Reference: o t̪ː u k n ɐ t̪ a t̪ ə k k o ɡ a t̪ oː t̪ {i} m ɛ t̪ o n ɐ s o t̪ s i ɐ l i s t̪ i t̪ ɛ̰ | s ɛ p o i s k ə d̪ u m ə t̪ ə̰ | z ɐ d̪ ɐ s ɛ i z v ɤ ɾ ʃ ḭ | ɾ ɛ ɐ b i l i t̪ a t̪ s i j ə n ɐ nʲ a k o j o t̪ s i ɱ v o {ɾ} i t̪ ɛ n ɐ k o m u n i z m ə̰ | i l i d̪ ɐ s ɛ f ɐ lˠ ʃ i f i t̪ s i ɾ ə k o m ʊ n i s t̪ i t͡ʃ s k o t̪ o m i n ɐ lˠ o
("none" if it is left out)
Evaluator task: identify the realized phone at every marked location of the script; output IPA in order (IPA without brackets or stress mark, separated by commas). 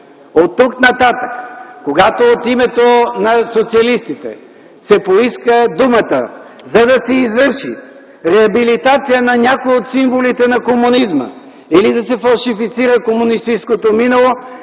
i, l